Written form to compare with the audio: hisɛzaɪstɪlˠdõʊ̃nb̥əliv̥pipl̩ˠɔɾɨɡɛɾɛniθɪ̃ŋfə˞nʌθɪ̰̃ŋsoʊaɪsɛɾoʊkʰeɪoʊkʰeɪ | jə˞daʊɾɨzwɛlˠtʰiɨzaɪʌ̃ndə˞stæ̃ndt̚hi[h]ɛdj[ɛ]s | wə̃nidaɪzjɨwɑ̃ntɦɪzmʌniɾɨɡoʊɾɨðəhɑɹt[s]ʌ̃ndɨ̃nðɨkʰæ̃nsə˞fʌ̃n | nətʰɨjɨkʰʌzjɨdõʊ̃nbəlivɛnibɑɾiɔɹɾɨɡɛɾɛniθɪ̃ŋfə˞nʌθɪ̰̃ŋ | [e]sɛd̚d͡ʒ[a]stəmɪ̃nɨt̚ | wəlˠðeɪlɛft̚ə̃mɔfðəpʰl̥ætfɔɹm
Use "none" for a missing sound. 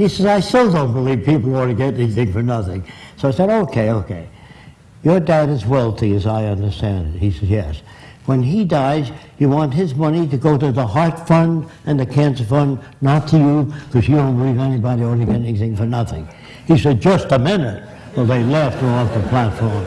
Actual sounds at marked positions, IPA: s, ɛ, f, i, ʌ

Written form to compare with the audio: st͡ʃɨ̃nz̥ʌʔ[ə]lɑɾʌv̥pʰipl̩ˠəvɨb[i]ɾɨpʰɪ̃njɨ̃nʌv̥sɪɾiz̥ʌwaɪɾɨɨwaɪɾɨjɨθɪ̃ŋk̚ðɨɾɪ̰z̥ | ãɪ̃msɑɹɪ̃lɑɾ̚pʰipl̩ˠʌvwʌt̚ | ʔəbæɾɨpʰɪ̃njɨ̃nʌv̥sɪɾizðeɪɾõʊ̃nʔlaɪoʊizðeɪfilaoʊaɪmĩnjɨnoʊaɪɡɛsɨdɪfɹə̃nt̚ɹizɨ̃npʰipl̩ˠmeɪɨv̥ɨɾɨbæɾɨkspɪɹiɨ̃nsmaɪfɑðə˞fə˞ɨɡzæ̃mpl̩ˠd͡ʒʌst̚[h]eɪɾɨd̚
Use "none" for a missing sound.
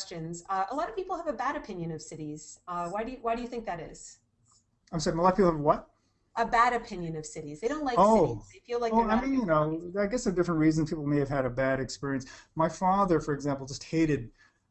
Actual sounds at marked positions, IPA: ə, æ, h

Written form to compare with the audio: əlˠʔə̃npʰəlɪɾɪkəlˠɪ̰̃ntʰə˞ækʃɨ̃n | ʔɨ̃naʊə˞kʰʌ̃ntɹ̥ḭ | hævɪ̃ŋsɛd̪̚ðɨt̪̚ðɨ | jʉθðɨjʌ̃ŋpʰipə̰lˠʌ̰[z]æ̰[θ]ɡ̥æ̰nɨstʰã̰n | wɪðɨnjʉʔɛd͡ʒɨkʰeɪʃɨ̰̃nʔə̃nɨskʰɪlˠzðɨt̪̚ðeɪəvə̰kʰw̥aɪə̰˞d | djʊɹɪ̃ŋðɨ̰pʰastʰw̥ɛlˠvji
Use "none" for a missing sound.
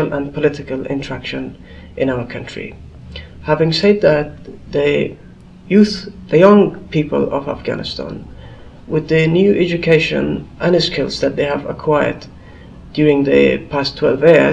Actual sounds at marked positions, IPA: v, f

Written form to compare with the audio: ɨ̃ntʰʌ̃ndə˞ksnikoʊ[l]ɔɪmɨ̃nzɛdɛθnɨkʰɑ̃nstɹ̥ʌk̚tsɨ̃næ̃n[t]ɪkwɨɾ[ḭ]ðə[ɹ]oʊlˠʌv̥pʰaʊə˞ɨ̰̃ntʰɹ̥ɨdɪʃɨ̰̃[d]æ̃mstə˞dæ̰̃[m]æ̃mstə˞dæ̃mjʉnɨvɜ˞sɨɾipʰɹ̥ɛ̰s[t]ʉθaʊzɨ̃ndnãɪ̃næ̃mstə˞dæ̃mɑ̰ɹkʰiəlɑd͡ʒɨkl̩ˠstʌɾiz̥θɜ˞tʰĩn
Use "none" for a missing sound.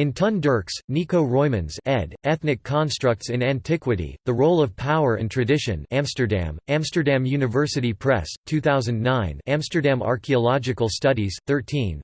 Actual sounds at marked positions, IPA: ɹ, tʰ, ḭ, ɹ, n, m, tʰ

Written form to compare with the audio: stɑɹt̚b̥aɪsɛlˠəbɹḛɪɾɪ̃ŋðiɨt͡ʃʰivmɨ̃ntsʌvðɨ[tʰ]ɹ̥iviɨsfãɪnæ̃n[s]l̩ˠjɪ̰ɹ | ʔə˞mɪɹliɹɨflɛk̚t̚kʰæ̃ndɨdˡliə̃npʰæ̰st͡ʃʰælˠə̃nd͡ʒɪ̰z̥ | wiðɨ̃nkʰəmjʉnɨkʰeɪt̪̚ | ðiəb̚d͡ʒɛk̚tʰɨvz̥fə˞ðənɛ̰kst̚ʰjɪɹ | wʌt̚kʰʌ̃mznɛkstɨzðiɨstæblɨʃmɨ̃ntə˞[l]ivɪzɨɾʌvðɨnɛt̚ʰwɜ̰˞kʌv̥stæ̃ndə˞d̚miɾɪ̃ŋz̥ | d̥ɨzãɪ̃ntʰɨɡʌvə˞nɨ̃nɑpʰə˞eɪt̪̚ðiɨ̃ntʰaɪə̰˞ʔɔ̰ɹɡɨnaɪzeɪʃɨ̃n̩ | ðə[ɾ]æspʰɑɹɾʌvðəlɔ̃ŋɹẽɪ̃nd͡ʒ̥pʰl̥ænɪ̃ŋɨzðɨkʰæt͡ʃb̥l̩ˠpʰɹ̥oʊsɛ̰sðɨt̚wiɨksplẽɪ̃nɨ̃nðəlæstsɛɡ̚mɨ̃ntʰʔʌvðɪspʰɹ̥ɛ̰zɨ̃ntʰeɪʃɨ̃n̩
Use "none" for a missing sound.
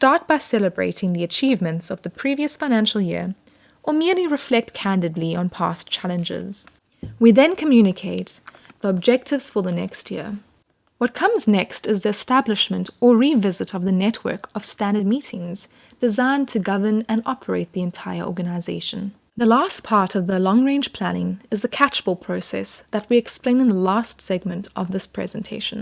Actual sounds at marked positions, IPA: pʰ, ʃ, ɹ, l

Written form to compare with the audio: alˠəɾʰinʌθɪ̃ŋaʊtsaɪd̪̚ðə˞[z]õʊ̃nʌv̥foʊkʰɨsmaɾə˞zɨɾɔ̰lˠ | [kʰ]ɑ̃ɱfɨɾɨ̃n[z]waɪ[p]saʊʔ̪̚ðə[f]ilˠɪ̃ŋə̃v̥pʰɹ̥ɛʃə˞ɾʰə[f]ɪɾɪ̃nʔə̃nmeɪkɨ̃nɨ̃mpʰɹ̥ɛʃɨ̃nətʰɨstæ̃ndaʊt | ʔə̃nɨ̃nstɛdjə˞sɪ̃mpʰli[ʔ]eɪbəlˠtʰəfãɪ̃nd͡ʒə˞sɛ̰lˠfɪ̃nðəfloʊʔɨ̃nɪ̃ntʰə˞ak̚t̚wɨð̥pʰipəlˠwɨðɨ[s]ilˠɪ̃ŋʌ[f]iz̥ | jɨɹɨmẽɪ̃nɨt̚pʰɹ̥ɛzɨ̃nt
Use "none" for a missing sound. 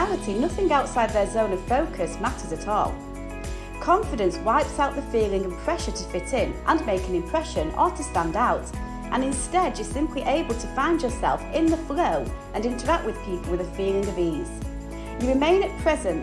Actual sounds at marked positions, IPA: z, kʰ, s, p, f, f, ʔ, f, v

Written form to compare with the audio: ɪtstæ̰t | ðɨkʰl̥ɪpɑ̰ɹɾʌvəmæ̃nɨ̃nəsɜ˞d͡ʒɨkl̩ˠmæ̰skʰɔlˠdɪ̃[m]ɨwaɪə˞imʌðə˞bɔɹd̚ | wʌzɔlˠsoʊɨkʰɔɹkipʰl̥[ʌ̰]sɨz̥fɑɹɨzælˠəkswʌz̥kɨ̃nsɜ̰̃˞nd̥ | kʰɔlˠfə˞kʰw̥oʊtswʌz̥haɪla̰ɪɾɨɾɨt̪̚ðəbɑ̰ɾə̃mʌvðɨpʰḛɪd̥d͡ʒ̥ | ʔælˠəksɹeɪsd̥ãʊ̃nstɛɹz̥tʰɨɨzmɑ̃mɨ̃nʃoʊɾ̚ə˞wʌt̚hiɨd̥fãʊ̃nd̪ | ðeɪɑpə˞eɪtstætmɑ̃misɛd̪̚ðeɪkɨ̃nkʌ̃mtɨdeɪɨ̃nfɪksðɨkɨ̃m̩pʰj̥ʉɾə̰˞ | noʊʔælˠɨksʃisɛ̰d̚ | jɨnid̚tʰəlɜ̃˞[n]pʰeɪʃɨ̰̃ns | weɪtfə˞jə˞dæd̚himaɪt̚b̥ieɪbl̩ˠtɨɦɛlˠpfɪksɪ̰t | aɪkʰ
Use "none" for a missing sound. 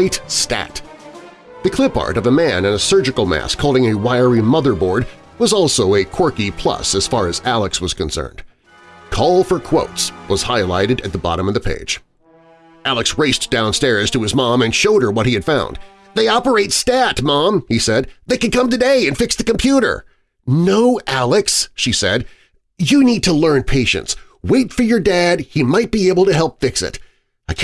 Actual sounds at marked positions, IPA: ŋ, ʌ̰, n

